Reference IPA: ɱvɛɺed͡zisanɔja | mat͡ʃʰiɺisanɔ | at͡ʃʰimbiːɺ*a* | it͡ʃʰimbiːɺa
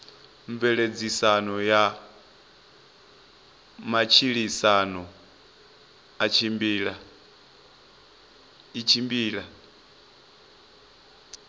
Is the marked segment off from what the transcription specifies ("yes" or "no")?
no